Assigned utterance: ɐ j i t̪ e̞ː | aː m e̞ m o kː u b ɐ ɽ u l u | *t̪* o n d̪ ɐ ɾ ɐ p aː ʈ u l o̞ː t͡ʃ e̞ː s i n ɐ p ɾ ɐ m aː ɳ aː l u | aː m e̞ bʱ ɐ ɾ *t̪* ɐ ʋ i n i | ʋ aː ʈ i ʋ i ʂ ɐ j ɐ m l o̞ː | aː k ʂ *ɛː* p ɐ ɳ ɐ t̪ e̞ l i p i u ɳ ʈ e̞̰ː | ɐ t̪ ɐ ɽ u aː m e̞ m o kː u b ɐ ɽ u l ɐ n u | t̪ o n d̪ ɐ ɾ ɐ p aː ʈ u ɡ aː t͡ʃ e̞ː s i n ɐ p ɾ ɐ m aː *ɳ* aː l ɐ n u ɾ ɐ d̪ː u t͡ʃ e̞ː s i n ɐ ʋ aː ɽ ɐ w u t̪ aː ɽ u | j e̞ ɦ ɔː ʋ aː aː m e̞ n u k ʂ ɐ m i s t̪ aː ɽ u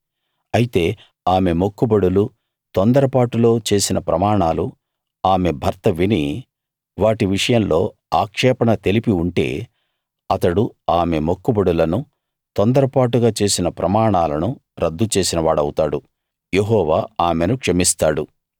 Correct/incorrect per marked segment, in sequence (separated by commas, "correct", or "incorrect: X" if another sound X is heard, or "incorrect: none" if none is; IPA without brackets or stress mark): correct, correct, correct, correct